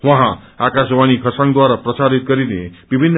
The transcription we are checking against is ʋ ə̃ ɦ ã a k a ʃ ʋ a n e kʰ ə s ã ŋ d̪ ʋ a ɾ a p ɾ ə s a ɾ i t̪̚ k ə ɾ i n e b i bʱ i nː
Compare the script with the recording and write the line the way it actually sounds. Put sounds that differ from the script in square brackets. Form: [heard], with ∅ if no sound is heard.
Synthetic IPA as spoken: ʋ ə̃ ɦ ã a k a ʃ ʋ a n [i] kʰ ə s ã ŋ d̪ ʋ a ɾ a p ɾ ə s a ɾ i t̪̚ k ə ɾ i n e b i bʱ i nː